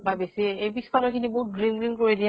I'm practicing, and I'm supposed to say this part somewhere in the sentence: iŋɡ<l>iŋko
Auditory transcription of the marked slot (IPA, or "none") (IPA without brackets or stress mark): ɹ